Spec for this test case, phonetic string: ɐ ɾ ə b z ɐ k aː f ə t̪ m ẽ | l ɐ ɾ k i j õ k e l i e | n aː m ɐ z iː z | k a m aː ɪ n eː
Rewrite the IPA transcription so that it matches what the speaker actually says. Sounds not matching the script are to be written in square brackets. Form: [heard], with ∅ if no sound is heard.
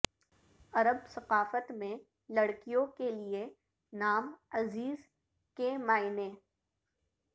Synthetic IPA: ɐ ɾ ə b [s] ɐ [q] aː f ə t̪ m ẽ | l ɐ [ɽ] k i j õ k e l i e | n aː m ɐ z iː z | k [e] m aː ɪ n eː